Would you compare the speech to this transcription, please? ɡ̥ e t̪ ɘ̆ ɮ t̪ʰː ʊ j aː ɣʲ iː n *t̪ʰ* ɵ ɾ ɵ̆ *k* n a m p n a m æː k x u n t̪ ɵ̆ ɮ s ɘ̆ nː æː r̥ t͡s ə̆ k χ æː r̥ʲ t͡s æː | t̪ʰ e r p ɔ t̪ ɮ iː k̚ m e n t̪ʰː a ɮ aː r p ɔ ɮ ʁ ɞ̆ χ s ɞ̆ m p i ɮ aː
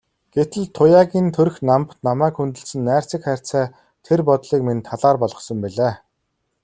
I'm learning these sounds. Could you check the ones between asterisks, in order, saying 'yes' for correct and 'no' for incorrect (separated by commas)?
yes, no